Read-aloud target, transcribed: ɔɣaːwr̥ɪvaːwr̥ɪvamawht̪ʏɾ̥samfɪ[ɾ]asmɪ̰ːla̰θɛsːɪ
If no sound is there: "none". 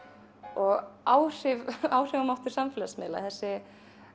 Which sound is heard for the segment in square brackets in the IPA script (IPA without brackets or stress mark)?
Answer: l